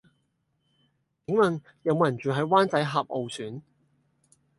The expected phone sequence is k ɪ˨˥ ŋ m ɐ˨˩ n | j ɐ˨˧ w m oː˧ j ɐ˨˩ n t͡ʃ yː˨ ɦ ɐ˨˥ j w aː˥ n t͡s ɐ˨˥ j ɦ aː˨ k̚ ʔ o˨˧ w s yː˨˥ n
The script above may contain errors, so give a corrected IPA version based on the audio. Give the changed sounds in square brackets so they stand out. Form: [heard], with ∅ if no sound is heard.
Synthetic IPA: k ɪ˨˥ ŋ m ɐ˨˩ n | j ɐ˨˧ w m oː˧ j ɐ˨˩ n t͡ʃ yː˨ ɦ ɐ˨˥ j w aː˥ n t͡s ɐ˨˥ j ɦ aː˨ [p̚] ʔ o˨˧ w s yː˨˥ n